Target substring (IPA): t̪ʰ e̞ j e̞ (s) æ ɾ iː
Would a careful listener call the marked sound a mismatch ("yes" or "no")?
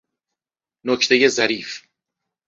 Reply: yes